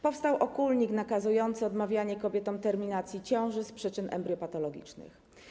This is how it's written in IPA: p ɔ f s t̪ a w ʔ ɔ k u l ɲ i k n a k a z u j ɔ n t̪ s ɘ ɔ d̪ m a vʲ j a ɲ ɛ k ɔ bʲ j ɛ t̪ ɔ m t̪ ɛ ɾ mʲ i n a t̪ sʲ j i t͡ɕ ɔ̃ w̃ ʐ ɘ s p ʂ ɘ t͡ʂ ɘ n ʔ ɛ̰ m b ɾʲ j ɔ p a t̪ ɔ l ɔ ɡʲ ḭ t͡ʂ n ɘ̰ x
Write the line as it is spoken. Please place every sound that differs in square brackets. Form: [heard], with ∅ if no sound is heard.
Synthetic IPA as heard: p ɔ f s t̪ a w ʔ ɔ k u l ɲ i k n a k a z u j ɔ n t̪ s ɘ ɔ d̪ m a vʲ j a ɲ ɛ k ɔ bʲ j ɛ t̪ ɔ m t̪ ɛ ɾ mʲ i n a t̪ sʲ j i t͡ɕ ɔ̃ w̃ ʐ ɘ s p ʂ ɘ t͡ʂ ɘ n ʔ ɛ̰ m b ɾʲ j ɔ p a t̪ ɔ l ɔ ɡʲ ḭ t͡ʂ n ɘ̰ x